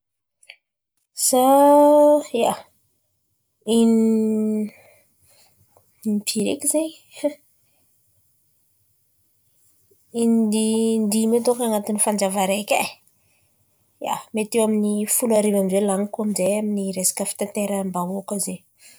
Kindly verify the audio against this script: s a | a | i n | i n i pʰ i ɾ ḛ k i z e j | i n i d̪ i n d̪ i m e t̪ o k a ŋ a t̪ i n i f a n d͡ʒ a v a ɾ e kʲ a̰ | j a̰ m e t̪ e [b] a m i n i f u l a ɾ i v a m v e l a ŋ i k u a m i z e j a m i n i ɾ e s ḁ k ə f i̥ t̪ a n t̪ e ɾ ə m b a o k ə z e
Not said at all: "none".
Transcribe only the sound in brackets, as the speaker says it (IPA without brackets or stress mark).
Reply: w